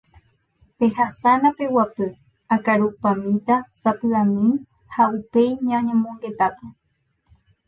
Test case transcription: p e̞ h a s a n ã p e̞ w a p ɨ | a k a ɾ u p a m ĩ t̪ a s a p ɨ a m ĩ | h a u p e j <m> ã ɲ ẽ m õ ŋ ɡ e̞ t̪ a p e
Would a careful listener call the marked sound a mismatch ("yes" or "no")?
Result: yes